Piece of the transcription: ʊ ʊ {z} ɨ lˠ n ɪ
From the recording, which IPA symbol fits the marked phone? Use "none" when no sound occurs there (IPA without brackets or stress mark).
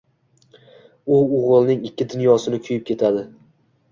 ʁ